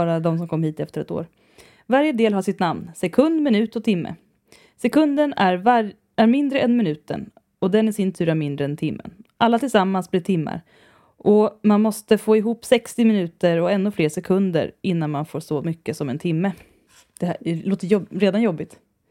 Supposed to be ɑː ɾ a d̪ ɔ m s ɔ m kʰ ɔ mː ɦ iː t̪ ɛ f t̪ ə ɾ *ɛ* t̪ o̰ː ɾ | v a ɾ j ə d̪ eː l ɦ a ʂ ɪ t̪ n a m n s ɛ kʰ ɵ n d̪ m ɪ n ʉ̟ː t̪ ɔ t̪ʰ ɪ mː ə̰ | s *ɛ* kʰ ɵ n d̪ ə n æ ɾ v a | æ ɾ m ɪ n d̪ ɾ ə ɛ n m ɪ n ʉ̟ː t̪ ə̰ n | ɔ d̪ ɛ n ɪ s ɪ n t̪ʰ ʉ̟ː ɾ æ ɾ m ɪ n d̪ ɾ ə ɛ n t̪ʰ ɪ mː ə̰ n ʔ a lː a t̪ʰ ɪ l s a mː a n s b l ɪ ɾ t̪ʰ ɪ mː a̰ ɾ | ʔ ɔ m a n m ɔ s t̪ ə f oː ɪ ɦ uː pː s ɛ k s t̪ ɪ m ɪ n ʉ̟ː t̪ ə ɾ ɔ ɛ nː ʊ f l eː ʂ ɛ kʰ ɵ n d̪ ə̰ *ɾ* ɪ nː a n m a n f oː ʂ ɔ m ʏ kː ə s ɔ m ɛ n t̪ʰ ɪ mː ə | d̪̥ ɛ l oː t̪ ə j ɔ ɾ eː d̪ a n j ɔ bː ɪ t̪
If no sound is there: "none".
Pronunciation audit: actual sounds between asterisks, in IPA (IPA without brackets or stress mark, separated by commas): ɛ, ɛ, ɾ